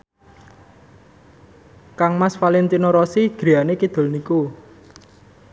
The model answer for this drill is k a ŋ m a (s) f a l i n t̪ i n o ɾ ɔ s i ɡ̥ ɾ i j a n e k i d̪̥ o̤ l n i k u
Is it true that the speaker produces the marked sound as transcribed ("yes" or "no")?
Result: yes